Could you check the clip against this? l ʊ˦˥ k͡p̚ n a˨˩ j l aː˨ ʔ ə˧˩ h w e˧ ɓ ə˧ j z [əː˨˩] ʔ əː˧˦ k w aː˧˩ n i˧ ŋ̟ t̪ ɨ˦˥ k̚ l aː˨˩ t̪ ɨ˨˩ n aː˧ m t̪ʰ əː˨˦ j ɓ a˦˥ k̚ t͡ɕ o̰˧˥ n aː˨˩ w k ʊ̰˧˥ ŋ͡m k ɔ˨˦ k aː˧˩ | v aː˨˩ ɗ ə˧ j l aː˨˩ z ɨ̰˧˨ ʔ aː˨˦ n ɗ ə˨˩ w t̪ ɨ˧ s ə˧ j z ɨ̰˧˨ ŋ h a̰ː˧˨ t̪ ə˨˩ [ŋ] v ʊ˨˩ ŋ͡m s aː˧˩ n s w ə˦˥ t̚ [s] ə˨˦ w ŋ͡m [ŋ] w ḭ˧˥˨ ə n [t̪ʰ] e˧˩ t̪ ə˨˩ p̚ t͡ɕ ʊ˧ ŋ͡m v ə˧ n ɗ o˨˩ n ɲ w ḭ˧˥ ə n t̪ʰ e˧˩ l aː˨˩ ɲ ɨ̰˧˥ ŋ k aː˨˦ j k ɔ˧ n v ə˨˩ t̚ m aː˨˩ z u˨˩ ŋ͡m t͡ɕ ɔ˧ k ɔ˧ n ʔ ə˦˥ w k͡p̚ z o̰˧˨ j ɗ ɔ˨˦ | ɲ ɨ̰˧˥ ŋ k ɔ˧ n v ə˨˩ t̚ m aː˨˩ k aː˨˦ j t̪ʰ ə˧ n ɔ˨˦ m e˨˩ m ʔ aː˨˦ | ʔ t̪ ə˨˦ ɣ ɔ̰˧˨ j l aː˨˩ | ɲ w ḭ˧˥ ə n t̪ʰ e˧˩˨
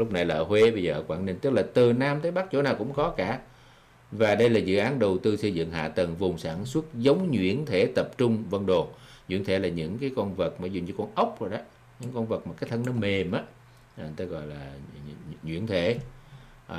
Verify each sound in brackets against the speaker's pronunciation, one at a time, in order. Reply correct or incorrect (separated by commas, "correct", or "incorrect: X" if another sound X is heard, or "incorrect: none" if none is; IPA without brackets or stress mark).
correct, correct, incorrect: z, incorrect: ɲ, correct